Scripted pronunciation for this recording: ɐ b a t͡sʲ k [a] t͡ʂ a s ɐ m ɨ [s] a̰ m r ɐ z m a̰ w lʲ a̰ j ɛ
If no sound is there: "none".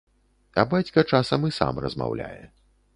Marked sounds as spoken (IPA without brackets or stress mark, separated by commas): ɐ, s